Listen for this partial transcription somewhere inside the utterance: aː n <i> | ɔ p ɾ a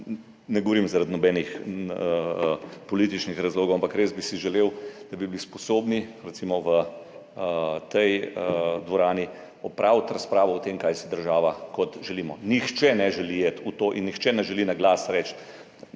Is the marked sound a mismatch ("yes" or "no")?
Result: no